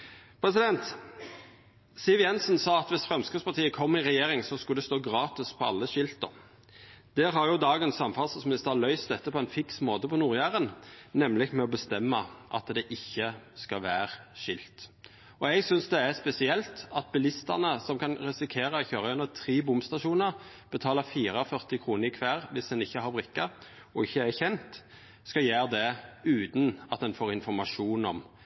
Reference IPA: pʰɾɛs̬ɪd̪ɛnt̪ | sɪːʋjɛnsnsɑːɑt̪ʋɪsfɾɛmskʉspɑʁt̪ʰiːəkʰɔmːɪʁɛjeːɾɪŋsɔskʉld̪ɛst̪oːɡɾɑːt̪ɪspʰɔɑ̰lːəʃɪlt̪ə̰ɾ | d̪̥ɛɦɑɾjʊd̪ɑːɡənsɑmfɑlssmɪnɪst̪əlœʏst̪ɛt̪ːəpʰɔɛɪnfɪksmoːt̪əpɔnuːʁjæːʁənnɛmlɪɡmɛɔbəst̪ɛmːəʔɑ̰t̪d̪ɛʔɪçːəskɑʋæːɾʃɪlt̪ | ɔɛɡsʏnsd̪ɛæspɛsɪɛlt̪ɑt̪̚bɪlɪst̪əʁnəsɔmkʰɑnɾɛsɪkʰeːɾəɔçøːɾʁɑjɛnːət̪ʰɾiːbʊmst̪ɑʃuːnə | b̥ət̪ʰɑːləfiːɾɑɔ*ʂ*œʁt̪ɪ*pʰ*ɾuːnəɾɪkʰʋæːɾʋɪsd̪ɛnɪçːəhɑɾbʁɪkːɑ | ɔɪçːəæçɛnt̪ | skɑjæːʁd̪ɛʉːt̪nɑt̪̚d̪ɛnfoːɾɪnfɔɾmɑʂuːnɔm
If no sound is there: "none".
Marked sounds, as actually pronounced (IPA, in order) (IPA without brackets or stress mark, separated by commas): f, kʰ